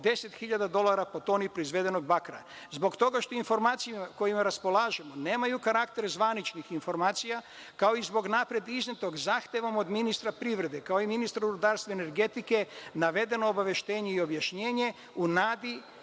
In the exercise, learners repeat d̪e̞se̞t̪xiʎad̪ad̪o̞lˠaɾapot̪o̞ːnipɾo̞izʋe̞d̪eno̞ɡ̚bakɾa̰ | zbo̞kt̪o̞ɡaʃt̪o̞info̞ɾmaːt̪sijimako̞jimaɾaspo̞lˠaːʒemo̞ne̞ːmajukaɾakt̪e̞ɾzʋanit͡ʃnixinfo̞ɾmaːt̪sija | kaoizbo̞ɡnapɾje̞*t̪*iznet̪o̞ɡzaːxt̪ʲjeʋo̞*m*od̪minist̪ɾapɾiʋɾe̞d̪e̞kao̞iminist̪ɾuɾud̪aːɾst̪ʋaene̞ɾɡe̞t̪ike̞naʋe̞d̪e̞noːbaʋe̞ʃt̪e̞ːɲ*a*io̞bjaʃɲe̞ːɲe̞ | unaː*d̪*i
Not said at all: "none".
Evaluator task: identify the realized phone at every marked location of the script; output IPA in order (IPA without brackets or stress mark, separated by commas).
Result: d̪, m, e, d̪